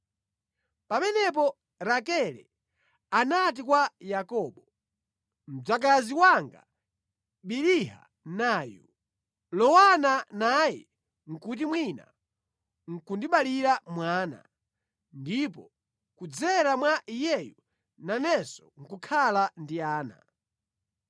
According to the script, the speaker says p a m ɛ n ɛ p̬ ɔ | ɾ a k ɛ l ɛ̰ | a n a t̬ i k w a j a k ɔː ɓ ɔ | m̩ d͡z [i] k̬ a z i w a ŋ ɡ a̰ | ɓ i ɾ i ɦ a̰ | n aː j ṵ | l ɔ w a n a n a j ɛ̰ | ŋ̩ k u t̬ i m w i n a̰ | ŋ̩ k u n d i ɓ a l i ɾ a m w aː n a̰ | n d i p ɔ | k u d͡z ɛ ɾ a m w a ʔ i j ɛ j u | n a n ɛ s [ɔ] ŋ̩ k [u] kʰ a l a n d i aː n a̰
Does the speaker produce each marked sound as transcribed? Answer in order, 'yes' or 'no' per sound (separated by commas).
no, yes, yes